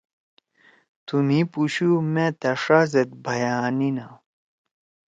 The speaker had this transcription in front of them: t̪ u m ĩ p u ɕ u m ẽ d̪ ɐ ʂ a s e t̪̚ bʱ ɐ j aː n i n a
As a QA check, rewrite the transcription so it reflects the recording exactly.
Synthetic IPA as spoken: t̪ u m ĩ p u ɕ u m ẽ t̪ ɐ ʂ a z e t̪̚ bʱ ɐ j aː n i n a